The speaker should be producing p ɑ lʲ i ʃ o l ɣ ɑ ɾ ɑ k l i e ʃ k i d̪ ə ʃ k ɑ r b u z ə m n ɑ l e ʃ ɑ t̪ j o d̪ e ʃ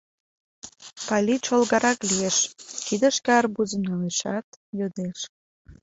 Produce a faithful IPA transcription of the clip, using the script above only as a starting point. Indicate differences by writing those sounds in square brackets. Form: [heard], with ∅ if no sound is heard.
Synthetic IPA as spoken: p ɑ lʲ i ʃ o l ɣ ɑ ɾ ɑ k l i e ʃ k i d̪ ə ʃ k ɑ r b u z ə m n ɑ l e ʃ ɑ t̪ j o d̪ e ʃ